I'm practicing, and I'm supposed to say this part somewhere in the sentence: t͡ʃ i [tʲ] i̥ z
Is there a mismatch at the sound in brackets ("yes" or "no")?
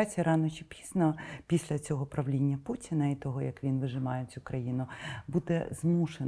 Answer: yes